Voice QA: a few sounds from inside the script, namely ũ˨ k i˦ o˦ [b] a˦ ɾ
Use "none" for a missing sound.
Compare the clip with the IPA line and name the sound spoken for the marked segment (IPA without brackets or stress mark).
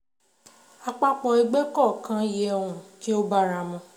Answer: b